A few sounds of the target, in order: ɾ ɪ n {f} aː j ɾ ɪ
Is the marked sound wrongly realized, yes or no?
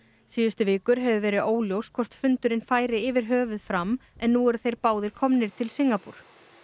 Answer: no